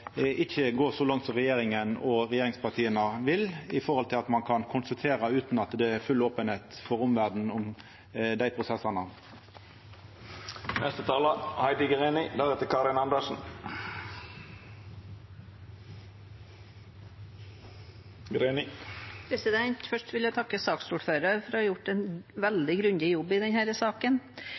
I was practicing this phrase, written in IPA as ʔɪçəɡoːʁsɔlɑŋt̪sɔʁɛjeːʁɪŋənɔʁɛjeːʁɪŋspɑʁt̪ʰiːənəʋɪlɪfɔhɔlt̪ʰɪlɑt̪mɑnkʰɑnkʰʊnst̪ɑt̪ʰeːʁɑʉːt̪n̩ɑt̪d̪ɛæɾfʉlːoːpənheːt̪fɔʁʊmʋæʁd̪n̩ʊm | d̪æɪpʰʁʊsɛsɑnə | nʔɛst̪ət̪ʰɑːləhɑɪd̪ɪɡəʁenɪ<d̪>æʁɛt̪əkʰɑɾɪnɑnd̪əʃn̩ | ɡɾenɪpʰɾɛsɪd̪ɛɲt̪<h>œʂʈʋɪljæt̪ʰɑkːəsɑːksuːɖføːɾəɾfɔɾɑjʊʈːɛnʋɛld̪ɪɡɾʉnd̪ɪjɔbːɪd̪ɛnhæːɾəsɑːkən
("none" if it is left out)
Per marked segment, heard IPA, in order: d̪, f

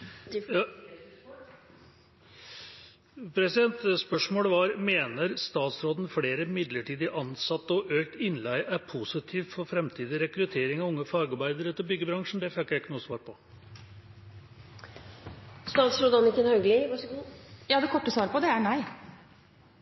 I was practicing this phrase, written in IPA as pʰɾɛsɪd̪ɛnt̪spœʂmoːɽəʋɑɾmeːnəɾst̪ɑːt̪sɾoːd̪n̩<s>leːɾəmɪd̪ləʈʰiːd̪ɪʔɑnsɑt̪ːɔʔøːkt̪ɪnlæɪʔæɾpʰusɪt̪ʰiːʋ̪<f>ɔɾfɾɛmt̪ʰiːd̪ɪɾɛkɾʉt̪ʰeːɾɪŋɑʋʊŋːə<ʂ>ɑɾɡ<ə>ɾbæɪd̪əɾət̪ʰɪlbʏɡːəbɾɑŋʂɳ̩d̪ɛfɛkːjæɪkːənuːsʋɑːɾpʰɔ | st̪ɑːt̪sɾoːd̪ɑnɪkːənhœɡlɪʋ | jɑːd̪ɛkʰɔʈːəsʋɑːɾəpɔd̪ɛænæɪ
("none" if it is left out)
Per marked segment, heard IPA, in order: f, f, f, ɑ

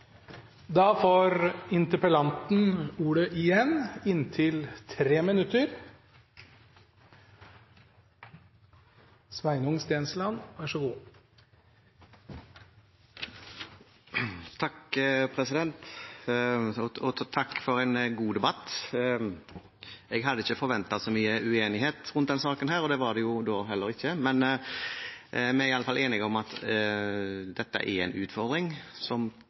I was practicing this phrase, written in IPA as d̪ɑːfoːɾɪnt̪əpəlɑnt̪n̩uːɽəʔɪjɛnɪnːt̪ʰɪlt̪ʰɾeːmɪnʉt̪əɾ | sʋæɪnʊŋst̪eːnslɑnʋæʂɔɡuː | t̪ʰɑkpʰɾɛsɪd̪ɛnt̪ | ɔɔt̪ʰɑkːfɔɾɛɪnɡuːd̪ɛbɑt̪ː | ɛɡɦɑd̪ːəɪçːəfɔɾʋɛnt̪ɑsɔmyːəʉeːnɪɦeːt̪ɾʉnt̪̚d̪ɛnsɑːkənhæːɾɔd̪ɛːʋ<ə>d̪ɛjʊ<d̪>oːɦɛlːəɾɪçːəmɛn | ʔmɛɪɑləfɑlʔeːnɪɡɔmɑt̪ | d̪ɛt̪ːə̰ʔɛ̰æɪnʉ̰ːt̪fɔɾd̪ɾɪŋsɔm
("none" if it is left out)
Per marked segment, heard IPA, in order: ɑ, d̪

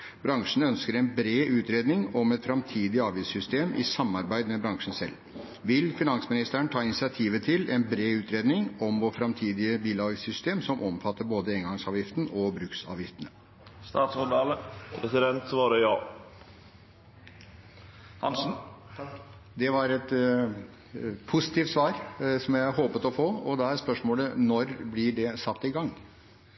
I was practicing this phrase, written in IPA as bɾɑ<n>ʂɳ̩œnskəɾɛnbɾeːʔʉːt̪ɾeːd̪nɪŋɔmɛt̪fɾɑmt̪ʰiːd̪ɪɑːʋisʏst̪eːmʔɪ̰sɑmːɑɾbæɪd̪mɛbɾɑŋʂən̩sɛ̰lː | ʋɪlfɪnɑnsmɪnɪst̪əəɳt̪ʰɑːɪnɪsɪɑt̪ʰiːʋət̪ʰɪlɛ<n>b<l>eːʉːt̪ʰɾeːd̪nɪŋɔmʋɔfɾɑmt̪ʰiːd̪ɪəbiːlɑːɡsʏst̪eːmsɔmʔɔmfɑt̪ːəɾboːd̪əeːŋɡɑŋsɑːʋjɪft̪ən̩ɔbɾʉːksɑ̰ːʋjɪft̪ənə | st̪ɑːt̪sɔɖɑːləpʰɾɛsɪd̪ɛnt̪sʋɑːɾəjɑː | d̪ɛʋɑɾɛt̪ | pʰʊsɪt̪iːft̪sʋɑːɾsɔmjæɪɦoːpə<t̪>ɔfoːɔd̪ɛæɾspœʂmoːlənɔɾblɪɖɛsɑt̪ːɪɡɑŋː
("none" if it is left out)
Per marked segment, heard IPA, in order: ŋ, n, ɾ, t̪

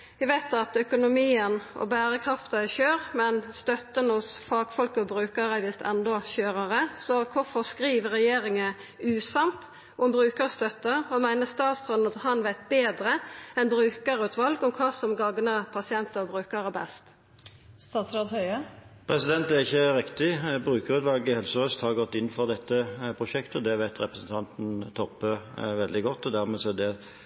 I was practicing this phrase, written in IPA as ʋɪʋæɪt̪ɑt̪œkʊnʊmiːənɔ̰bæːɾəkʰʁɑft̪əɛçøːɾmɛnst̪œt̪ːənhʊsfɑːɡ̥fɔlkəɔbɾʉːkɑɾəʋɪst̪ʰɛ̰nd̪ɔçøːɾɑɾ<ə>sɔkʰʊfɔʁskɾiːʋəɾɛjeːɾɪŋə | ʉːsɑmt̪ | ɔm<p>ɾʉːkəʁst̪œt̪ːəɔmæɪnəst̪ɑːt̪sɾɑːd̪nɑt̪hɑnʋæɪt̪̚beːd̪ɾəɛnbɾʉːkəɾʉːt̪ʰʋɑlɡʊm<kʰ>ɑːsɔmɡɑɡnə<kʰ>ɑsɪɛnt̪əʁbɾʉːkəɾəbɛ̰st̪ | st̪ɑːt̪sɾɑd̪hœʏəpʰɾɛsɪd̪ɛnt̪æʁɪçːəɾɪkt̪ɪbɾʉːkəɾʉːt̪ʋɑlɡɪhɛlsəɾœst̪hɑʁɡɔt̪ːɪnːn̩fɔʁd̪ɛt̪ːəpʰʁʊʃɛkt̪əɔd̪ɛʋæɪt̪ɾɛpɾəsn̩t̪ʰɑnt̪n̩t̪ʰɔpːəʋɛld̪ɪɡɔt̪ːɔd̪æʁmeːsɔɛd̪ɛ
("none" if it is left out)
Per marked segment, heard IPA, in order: ə, b, kʰ, pʰ

